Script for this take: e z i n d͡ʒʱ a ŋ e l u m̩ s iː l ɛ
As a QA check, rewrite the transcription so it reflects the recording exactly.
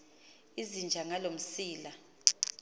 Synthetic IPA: i z i n d͡ʒʱ a ŋ a l o m̩ s iː l a